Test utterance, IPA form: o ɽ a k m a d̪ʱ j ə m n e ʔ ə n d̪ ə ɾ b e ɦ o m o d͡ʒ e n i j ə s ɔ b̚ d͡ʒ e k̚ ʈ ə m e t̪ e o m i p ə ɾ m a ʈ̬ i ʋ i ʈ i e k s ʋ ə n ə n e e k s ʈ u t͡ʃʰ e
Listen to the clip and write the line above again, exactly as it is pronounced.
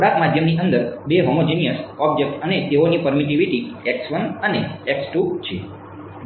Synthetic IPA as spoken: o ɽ a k m a d̪ʱ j ə m n i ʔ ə n d̪ ə ɾ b e ɦ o m o d͡ʒ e n i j ə s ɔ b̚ d͡ʒ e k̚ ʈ ə n e t̪ e o n i p ə ɾ m i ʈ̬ i ʋ i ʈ i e k s ʋ ə n ə n e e k s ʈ u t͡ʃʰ e